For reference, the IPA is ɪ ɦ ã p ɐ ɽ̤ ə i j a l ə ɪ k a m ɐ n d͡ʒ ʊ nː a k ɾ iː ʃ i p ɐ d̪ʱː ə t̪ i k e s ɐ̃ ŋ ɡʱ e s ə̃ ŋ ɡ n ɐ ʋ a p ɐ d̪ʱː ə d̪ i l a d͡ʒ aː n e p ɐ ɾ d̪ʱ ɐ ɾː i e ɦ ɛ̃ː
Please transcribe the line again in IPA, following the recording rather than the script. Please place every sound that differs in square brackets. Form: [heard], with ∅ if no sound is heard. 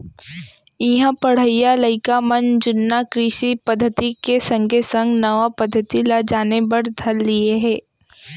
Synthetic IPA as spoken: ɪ ɦ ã p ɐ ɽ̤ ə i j a l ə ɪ k a m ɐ n d͡ʒ ʊ nː a k ɾ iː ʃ i p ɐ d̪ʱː ə t̪ i k e s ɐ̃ ŋ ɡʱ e s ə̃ ŋ ɡ n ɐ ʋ a p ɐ d̪ʱː ə [t̪] i l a d͡ʒ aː n e [b] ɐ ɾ d̪ʱ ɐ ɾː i e ɦ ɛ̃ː